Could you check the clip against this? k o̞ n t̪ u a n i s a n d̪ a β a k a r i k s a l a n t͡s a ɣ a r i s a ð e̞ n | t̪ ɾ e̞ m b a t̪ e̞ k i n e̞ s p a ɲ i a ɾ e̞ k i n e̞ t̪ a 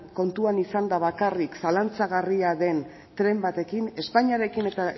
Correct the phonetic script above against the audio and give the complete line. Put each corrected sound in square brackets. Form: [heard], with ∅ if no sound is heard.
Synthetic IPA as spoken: k o̞ n t̪ u a n i s a n d̪ a β a k a r i k s a l a n t͡s a ɣ a r i [∅] a ð e̞ n | t̪ ɾ e̞ m b a t̪ e̞ k i n e̞ s p a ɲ i a ɾ e̞ k i n e̞ t̪ a